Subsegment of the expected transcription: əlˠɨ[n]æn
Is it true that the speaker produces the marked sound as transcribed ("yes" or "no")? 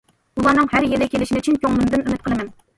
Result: no